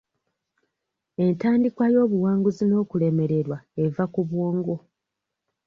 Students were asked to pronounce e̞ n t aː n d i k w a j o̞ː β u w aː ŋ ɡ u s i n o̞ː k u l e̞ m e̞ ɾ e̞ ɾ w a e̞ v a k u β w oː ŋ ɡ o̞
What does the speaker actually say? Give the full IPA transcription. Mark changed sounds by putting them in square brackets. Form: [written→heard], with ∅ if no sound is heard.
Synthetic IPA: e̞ n t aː n d i k w a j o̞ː β u w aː ŋ ɡ u [s→z] i n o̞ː k u l e̞ m e̞ ɾ e̞ ɾ w a e̞ v a k u β w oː ŋ ɡ o̞